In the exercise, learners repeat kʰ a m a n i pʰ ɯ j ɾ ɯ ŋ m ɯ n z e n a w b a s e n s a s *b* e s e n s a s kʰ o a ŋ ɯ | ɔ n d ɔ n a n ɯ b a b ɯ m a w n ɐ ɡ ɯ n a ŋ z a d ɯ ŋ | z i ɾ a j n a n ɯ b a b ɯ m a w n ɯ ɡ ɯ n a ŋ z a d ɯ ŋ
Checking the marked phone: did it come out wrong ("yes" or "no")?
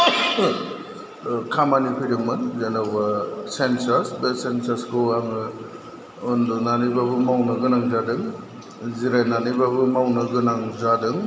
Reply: no